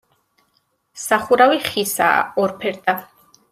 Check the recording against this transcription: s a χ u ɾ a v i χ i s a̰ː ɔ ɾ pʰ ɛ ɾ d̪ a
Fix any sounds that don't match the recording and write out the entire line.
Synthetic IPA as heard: s a χ u ɾ a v i χ i s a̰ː ɔ ɾ pʰ ɛ ɾ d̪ a